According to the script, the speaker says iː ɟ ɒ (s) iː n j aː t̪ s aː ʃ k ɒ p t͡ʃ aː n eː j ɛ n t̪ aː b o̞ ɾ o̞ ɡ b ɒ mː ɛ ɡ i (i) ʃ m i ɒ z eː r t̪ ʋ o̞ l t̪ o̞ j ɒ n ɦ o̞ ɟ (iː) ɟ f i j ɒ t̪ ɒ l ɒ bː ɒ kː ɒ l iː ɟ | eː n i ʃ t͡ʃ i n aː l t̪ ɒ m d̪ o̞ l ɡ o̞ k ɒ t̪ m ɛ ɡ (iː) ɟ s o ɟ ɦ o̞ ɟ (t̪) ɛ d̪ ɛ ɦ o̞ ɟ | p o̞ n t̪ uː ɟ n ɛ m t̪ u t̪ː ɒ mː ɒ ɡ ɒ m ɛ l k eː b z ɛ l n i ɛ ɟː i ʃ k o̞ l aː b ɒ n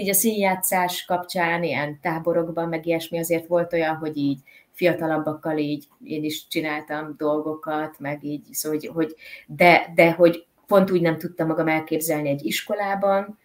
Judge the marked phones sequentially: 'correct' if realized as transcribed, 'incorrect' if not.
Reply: correct, incorrect: ɛ, correct, correct, incorrect: d̪

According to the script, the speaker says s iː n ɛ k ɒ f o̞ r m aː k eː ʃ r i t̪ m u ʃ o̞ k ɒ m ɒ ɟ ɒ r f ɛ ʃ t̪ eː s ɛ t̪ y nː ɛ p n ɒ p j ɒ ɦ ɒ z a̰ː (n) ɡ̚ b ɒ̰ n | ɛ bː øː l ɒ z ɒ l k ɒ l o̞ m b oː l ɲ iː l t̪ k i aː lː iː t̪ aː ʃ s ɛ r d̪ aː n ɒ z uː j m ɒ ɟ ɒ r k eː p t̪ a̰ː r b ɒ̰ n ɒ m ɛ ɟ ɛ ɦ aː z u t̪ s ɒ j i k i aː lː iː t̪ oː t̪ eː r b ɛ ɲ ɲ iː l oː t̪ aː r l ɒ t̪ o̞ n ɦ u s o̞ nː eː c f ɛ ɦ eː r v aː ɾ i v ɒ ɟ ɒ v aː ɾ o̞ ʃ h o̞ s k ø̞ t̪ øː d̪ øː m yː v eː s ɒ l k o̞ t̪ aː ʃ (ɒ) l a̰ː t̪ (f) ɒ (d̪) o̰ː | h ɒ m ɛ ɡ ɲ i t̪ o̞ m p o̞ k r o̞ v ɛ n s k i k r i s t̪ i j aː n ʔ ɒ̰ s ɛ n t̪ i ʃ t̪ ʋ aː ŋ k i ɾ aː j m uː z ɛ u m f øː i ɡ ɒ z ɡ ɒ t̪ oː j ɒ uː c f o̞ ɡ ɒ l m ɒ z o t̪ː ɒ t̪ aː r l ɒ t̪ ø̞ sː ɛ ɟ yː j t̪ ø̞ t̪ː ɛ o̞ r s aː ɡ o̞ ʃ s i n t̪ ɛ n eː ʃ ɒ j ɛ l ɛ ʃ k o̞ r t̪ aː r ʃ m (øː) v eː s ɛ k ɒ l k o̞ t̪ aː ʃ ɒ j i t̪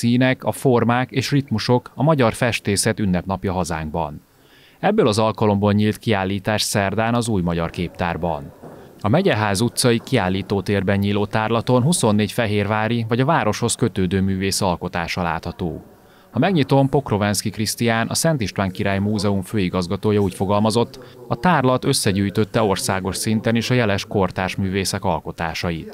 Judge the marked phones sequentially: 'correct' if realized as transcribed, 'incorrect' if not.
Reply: incorrect: ŋ, correct, incorrect: h, incorrect: t̪, incorrect: yː

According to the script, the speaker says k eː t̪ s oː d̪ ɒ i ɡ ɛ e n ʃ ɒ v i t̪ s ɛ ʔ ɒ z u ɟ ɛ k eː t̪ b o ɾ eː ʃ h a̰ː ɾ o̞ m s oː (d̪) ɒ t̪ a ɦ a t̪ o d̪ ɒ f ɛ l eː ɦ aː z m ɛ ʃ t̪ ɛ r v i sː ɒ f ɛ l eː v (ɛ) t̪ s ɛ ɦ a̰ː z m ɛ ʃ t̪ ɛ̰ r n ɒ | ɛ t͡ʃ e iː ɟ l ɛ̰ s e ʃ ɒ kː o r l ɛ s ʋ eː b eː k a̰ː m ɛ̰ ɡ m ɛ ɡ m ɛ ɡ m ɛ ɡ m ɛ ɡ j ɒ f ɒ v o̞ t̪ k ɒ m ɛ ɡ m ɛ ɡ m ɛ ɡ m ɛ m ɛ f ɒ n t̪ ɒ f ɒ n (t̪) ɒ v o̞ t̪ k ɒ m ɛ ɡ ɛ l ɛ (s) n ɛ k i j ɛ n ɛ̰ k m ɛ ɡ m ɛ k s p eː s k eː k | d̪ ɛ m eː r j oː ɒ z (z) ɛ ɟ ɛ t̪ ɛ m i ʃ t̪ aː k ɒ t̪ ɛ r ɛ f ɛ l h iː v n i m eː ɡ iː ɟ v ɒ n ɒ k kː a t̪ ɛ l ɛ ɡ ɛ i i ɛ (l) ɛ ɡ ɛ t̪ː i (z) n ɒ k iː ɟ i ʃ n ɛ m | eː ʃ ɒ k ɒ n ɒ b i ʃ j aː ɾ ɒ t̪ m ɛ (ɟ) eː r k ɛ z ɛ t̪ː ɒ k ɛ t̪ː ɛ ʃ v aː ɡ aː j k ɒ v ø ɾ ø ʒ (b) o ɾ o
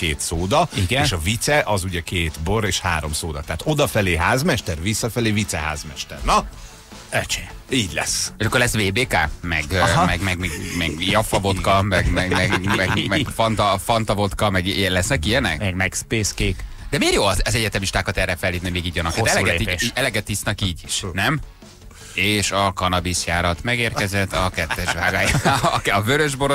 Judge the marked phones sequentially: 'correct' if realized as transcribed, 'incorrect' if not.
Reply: correct, incorrect: i, correct, correct, correct, correct, incorrect: s, incorrect: ɡ, correct

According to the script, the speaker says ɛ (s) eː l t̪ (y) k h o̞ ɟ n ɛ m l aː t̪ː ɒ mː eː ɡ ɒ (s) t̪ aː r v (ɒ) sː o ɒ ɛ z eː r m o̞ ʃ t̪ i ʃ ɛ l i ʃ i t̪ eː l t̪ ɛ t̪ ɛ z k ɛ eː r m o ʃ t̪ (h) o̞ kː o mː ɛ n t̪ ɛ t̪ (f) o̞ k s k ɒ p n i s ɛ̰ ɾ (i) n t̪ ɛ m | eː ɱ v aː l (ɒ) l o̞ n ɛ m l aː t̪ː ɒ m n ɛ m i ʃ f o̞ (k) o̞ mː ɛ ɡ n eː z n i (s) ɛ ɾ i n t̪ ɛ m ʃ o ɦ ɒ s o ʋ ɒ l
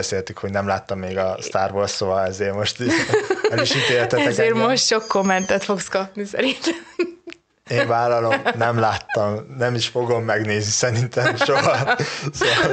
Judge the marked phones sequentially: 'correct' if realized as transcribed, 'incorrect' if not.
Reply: correct, correct, correct, incorrect: o, incorrect: ʃ, correct, correct, correct, incorrect: ɡ, correct

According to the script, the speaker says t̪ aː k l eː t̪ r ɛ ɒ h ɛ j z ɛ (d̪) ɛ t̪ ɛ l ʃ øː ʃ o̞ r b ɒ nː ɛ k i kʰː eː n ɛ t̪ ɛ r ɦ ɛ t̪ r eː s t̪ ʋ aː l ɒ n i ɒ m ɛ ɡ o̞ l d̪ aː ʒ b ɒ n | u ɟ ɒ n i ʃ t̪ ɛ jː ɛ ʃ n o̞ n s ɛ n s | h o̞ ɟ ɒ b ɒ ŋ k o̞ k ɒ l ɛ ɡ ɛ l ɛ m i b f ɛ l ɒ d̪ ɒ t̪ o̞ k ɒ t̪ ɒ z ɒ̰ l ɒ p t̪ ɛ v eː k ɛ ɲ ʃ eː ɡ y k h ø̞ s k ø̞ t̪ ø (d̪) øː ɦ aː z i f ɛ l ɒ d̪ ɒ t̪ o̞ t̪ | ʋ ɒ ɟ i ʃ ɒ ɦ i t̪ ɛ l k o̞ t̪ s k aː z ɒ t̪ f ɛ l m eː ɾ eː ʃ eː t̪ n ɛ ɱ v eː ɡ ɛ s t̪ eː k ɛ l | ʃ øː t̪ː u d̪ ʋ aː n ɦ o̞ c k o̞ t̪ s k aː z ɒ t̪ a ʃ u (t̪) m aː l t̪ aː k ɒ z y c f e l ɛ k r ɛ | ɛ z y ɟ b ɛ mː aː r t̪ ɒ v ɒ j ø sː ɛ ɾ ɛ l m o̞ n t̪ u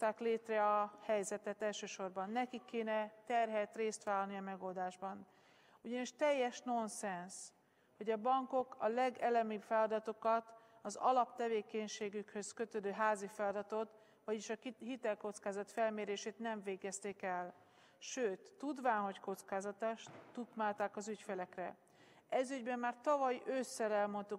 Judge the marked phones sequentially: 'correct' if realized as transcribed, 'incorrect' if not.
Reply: incorrect: t̪, correct, correct

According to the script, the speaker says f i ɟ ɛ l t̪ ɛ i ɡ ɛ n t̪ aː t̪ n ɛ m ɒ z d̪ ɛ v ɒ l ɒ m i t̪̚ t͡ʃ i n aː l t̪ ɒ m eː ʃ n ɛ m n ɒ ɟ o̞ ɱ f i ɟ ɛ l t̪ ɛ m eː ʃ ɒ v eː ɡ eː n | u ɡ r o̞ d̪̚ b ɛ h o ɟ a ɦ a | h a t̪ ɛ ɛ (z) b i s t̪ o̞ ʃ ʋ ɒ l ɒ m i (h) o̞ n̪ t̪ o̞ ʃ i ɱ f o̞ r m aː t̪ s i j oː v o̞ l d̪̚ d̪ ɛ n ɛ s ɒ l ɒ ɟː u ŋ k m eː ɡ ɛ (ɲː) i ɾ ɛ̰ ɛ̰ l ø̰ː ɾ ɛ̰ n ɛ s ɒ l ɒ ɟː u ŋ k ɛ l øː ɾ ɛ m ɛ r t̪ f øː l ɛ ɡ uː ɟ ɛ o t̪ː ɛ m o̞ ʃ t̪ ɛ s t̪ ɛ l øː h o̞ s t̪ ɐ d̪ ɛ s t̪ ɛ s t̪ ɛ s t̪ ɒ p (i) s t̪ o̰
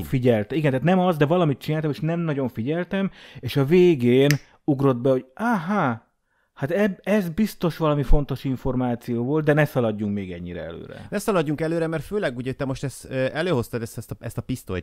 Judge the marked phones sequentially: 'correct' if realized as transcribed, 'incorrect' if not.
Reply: correct, incorrect: f, correct, correct

